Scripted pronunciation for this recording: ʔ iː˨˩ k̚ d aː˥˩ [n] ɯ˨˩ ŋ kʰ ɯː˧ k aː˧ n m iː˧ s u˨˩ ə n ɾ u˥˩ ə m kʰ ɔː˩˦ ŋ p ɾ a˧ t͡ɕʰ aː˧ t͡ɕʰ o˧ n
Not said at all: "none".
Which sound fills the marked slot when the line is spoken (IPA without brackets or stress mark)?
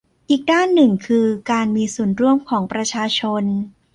nː